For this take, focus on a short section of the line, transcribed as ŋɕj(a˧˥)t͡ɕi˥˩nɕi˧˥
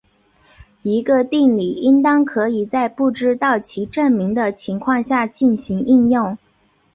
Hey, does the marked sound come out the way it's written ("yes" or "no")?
no